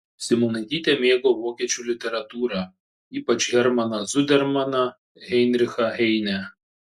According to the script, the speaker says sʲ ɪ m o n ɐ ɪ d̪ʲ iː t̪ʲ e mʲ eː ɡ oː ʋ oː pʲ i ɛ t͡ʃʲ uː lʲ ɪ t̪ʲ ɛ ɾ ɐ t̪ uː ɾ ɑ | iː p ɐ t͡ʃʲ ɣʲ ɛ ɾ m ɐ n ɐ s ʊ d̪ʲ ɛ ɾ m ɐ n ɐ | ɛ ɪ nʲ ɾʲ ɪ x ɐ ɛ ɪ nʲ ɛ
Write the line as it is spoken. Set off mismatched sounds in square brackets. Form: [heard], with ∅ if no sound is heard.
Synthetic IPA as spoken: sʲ ɪ m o n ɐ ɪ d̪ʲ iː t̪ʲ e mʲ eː ɡ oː ʋ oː [kʲ] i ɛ t͡ʃʲ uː lʲ ɪ t̪ʲ ɛ ɾ ɐ t̪ uː ɾ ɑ | iː p ɐ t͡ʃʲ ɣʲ ɛ ɾ m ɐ n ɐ [z] ʊ d̪ʲ ɛ ɾ m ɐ n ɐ | ɛ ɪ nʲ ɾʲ ɪ x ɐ ɛ ɪ nʲ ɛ